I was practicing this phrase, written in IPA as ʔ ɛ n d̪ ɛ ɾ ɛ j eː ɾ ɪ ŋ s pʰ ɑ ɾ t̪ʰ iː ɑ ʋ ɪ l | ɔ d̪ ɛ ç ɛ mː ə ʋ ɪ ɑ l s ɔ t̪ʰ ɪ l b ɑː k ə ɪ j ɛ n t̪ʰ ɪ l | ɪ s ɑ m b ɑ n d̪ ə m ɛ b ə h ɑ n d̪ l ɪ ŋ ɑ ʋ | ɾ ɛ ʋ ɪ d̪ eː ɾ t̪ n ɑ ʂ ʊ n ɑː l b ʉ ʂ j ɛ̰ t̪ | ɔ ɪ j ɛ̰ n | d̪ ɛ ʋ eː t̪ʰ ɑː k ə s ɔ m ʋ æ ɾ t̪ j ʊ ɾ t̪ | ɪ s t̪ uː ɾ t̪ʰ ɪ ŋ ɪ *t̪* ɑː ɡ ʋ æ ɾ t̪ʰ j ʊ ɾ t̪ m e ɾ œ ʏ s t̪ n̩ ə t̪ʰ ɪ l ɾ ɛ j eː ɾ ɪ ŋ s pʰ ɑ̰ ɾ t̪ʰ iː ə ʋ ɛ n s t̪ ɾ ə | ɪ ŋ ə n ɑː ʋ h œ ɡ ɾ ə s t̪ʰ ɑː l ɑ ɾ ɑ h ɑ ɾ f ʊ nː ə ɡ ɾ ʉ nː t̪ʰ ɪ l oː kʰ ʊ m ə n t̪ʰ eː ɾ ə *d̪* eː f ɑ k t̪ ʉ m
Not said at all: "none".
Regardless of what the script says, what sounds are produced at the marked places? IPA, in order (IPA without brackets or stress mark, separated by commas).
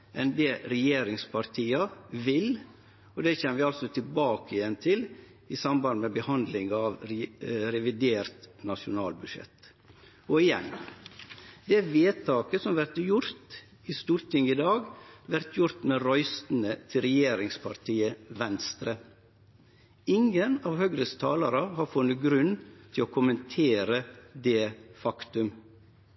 d̪, d̪